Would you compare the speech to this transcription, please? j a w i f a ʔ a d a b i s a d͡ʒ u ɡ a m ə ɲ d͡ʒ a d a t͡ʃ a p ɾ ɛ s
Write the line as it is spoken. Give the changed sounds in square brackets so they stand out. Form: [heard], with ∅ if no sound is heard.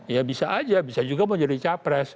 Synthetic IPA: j a [b] i [s] a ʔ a [d͡ʒ] a b i s a d͡ʒ u ɡ a m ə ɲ d͡ʒ a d [i] t͡ʃ a p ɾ ɛ s